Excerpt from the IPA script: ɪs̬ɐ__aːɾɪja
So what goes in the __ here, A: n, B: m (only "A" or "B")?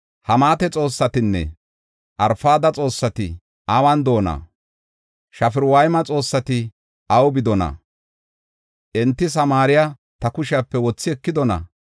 B